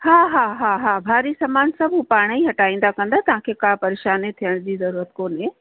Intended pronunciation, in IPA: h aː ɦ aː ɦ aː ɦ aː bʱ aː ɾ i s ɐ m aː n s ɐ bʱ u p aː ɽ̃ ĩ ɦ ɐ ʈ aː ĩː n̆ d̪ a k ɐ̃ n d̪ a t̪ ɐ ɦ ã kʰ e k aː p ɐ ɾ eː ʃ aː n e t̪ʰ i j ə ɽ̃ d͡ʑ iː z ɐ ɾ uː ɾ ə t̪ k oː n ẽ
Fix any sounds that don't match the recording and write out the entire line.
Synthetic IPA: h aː ɦ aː ɦ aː ɦ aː bʱ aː ɾ i s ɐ m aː n s ɐ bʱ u p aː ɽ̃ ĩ ɦ ɐ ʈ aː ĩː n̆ d̪ a k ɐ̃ n d̪ a t̪ ɐ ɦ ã kʰ e k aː p ɐ ɾ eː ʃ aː n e t̪ʰ i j ə ɽ̃ d͡ʑ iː z ɐ ɾ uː ɾ ə t̪ k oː n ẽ